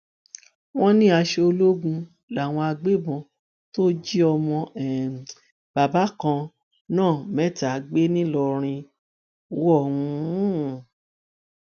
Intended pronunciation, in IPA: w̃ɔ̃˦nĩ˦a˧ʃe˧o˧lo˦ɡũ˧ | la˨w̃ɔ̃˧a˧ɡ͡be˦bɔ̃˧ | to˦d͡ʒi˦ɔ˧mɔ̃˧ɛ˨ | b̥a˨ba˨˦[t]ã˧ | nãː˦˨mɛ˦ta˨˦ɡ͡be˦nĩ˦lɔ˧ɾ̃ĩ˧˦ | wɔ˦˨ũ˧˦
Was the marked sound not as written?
yes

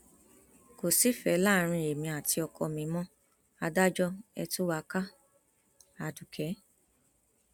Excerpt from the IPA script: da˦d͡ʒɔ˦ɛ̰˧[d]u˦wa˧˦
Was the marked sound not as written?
yes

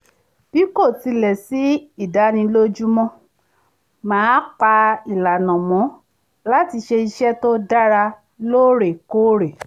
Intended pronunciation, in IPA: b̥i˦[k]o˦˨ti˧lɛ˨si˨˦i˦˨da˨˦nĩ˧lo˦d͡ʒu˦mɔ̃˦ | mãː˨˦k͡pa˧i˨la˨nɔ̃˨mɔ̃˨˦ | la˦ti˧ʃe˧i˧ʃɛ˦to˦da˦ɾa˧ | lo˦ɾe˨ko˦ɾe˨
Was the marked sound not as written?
no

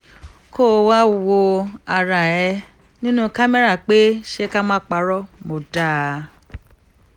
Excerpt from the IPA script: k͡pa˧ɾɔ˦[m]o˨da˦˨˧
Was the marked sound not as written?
no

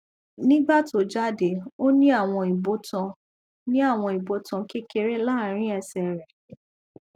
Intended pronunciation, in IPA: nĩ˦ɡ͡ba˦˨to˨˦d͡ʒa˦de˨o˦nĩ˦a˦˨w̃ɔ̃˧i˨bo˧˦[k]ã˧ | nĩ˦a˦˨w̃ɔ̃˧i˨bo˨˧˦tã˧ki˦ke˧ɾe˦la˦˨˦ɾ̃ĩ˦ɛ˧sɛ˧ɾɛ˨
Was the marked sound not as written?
yes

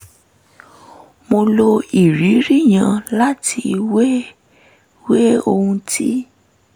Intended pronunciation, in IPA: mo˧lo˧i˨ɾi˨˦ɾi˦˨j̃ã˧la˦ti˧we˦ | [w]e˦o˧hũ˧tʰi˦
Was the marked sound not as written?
no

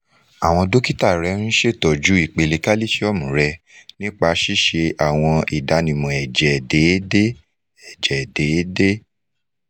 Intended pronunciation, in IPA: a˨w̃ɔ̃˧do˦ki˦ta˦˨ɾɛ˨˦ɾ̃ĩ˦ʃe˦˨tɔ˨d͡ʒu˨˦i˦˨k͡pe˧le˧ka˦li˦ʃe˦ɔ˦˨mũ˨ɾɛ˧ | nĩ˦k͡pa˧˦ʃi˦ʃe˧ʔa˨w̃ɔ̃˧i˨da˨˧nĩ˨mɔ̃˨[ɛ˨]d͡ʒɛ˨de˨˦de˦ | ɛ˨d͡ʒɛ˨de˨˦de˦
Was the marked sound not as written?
no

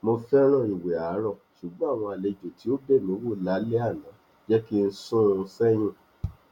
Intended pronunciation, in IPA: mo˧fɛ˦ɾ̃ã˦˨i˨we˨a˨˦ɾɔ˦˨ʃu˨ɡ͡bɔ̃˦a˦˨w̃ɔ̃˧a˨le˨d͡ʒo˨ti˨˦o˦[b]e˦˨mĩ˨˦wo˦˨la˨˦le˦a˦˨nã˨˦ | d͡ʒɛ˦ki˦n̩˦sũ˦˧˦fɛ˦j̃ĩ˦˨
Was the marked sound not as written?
no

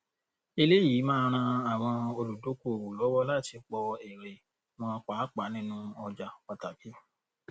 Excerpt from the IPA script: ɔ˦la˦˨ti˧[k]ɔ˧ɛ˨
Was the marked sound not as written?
yes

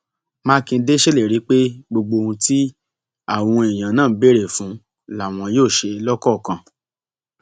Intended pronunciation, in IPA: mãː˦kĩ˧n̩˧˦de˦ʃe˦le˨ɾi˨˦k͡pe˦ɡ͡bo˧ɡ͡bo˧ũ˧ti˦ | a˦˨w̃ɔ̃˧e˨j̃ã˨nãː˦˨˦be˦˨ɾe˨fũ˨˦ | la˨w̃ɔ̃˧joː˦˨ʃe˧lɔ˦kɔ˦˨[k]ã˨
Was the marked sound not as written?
no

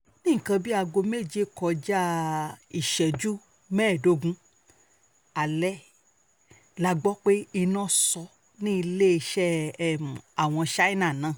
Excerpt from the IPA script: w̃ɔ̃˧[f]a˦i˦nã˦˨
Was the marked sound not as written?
yes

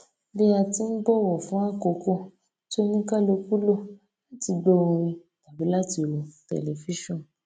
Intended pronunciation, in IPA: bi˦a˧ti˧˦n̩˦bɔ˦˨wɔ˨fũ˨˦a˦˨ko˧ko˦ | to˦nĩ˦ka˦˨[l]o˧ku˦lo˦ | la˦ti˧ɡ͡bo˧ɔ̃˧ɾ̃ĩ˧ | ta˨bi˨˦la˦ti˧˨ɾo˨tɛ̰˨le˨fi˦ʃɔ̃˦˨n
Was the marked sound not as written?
no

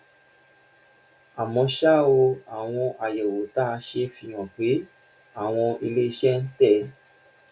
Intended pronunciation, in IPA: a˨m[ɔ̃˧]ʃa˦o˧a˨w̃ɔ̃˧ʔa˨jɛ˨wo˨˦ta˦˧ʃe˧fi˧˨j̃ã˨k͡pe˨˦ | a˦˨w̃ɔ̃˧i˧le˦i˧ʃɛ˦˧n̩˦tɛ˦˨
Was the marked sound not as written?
no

